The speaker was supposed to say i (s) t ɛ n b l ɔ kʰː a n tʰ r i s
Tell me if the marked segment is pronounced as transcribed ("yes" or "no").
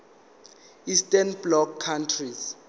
yes